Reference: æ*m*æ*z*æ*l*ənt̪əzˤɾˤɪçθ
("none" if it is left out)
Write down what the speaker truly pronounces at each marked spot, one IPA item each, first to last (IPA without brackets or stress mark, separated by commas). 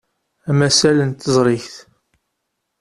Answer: m, s, l